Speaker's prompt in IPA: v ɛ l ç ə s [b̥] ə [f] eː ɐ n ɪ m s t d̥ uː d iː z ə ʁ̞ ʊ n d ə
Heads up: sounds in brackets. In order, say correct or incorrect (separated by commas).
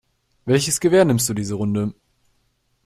incorrect, incorrect